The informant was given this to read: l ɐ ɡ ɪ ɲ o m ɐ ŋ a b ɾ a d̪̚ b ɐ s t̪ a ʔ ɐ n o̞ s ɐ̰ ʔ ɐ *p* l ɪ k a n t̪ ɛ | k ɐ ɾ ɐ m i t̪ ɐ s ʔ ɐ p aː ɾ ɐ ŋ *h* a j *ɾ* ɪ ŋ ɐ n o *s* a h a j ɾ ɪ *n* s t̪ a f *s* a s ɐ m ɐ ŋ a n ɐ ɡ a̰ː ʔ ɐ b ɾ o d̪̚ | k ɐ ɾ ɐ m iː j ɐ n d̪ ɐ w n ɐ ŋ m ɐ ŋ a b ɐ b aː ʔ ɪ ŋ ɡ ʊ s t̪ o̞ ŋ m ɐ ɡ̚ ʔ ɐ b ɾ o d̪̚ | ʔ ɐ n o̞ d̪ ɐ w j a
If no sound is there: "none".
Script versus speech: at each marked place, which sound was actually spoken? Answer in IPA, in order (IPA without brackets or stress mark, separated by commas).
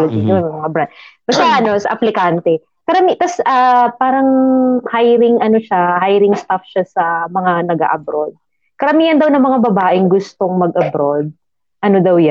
p, h, ɾ, ʃ, ŋ, ʃ